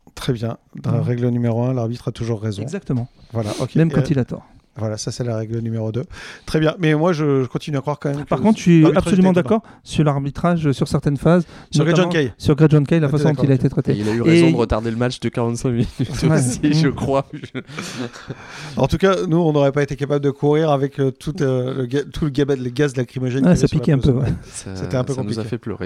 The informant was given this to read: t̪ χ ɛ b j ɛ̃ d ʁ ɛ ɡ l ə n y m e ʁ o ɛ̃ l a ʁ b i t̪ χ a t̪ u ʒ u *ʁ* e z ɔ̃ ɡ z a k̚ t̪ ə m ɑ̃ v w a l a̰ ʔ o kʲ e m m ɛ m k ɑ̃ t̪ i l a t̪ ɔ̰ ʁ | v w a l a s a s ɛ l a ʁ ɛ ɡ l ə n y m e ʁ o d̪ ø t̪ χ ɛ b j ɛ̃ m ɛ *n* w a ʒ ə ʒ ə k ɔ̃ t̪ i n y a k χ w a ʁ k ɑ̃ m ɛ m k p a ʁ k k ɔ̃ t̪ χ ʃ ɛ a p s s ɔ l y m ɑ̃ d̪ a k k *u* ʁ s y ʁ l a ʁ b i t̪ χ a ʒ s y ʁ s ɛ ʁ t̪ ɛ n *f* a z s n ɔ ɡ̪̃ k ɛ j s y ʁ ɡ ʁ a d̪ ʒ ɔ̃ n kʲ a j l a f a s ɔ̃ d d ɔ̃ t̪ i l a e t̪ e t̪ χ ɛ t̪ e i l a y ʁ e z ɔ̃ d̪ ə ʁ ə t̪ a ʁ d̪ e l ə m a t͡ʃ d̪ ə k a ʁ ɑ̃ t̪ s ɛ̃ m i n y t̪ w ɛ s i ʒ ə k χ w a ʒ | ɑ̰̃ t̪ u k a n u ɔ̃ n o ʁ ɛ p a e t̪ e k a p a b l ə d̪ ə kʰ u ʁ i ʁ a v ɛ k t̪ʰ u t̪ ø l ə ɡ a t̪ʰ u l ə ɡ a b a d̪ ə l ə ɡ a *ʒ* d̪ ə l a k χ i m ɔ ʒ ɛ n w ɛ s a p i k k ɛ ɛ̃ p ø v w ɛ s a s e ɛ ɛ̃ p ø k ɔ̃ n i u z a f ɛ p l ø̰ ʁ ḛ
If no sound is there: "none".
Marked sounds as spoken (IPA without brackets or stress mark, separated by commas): ʁː, m, ɔ, f, z